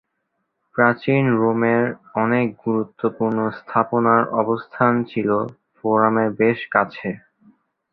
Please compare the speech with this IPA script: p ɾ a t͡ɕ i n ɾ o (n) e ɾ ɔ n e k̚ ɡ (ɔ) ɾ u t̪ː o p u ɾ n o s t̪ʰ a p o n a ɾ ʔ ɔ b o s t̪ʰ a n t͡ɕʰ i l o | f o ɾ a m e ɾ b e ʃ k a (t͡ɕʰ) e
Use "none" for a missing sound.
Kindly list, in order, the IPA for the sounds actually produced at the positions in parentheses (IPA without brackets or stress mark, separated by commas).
m, u, t͡ɕʰ